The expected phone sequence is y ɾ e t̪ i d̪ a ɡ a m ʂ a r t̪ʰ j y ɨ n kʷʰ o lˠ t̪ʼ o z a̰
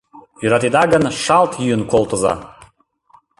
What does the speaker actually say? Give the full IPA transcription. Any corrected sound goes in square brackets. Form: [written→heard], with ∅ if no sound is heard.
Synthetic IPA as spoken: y ɾ [e→a] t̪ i d̪ a ɡ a [m→n] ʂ a [r→l] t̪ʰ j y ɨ n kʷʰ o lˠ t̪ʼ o z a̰